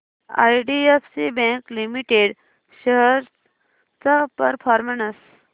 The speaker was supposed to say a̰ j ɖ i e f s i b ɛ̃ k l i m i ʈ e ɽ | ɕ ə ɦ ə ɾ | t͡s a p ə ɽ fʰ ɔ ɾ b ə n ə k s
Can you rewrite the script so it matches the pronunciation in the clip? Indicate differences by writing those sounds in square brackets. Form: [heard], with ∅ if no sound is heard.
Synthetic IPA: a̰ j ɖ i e f s i b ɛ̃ k l i m i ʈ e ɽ | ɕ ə ɦ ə ɾ | t͡s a p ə [ɾ] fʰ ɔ ɾ [m] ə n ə [∅] s